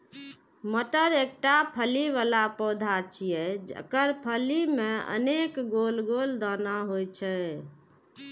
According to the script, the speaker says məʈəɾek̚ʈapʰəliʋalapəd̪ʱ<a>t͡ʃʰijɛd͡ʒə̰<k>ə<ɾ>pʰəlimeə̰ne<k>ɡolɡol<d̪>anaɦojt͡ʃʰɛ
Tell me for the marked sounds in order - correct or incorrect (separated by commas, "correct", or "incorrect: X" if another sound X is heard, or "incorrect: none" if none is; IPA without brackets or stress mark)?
correct, correct, correct, correct, correct